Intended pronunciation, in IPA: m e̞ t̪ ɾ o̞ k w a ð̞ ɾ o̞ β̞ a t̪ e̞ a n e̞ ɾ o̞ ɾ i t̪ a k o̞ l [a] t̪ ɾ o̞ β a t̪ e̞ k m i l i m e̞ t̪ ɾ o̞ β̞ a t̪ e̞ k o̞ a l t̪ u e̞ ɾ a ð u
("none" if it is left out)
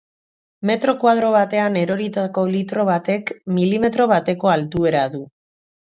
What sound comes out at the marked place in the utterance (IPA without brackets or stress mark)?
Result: i